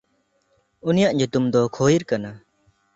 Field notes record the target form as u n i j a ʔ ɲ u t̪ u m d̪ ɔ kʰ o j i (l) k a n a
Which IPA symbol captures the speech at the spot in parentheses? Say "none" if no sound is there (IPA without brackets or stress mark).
ɾ